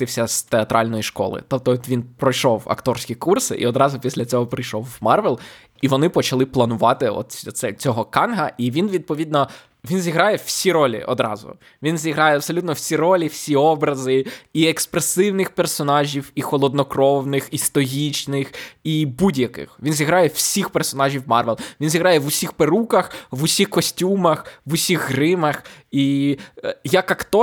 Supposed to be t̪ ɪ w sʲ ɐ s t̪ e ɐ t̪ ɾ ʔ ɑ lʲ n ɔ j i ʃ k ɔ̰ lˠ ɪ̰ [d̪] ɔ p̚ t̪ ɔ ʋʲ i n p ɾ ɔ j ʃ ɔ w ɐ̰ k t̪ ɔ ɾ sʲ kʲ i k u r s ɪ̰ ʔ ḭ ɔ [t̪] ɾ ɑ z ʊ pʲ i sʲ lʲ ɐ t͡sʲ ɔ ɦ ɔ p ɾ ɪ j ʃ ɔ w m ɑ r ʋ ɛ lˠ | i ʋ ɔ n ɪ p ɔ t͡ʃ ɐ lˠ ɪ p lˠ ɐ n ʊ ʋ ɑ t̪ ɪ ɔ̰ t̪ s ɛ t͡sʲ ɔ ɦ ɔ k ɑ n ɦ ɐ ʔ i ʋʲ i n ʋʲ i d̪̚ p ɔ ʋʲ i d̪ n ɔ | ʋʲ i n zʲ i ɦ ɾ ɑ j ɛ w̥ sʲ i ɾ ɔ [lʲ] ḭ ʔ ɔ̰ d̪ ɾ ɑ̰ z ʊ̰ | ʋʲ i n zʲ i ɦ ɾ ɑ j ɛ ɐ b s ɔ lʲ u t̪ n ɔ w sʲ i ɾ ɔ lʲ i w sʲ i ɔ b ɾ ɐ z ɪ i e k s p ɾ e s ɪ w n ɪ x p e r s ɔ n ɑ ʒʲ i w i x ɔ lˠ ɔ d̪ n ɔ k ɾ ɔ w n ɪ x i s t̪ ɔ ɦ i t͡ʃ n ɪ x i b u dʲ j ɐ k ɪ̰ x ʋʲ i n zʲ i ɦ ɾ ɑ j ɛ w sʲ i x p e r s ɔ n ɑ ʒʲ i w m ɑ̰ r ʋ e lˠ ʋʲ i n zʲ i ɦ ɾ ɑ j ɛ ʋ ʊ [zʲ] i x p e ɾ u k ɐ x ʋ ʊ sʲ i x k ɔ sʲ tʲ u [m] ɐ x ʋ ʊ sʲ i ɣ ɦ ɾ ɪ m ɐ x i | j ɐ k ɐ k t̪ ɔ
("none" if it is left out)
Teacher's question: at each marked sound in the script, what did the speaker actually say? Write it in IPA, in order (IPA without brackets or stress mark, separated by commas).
t̪, d̪, lʲ, sʲ, m